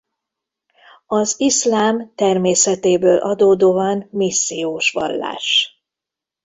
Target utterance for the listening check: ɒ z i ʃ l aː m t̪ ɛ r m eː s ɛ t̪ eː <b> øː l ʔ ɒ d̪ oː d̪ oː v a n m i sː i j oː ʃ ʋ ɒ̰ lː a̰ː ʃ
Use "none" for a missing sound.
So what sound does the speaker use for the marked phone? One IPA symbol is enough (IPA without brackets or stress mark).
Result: b